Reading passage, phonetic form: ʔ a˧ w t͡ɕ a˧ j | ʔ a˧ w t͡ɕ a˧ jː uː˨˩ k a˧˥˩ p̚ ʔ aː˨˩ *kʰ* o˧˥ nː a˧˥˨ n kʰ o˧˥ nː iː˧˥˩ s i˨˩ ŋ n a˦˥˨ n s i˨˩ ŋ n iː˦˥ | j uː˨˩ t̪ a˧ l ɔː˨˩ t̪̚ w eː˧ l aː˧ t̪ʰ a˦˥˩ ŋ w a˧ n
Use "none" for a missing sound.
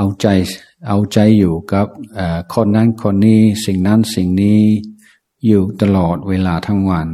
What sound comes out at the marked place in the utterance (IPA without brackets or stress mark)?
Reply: kʰ